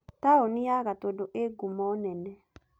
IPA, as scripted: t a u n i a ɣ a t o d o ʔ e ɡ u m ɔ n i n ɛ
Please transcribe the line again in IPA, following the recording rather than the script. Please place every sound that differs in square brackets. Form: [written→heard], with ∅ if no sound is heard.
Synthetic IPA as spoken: t a [u→o] n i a ɣ a t o d o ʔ e ɡ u m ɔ n [i→ɛ] n ɛ